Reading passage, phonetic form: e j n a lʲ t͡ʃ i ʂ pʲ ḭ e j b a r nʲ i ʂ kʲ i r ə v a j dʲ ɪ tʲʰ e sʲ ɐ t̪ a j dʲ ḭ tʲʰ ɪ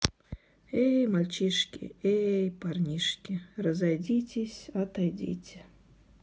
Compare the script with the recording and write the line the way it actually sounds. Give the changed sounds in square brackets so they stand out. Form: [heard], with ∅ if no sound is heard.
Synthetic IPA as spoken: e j [m] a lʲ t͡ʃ i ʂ [kʲ] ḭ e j [p] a r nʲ i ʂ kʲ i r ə [z] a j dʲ [i] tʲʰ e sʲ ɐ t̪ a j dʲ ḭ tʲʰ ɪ